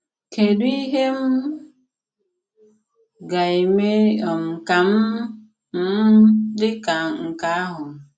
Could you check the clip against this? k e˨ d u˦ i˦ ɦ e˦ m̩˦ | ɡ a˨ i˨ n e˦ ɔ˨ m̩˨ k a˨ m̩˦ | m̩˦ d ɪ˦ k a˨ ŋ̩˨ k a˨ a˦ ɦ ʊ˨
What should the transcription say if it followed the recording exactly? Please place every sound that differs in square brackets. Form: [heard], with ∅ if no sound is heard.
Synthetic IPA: k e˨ d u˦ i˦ ɦ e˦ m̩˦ | ɡ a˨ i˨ [m] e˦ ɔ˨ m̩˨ k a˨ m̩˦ | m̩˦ d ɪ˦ k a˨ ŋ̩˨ k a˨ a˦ ɦ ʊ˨